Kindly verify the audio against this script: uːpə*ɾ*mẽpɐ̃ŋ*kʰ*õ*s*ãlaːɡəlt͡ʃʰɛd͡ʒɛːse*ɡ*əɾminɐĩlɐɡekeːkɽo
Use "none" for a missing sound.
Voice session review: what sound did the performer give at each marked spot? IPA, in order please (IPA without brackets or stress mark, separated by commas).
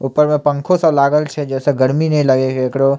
ɾ, kʰ, s, ɡ